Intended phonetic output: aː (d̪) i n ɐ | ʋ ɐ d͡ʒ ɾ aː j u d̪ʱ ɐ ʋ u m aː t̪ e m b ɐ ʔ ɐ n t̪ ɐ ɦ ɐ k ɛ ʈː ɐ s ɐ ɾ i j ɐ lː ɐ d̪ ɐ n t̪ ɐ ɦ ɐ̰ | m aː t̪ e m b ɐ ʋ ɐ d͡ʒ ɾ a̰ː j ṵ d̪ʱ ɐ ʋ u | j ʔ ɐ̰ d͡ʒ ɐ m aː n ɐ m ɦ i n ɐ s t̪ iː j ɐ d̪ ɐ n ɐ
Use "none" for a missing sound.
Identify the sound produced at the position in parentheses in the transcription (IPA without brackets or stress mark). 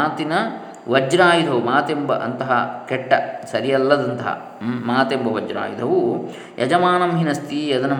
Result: t̪